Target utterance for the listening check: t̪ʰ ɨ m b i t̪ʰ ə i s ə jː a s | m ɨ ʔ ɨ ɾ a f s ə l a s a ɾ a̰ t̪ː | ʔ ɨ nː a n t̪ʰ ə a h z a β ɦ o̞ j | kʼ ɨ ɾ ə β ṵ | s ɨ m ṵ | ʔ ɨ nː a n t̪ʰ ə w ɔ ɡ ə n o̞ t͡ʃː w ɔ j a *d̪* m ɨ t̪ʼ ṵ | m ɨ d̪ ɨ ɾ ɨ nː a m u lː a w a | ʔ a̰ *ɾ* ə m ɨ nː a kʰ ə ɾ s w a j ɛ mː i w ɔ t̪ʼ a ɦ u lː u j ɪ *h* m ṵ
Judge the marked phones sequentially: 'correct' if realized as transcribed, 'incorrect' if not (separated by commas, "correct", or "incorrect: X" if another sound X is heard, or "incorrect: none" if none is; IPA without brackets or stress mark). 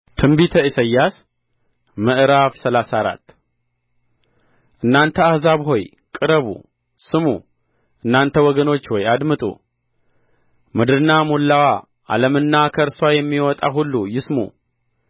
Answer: correct, incorrect: l, incorrect: s